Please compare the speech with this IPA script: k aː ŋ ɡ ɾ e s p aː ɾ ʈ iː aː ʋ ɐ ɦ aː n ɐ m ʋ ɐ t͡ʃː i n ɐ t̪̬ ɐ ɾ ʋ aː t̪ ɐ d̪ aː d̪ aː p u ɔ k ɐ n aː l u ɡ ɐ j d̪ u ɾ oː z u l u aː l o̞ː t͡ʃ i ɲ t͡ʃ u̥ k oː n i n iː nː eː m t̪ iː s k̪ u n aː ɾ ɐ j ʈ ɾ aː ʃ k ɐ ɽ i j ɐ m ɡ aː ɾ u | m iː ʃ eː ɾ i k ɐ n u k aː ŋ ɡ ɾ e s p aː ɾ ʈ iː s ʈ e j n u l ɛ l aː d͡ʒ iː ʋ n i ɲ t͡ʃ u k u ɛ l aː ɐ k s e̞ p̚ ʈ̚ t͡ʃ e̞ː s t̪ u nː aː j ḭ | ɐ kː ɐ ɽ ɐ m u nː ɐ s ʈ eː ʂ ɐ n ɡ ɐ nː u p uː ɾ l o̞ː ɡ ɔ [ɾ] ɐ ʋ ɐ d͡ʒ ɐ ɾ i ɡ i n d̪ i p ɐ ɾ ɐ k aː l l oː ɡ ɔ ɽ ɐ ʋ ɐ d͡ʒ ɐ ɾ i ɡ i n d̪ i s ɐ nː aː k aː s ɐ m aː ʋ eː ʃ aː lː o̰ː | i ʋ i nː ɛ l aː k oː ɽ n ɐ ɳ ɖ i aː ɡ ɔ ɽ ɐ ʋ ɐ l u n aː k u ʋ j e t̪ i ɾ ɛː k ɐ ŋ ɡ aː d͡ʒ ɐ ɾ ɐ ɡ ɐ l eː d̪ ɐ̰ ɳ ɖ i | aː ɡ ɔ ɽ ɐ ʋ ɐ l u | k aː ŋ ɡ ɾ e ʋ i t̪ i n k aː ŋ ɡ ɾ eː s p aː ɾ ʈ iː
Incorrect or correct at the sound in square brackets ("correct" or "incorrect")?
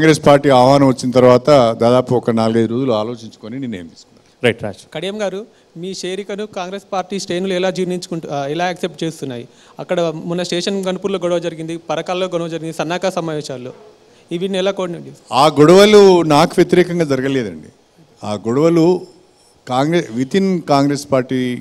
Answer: incorrect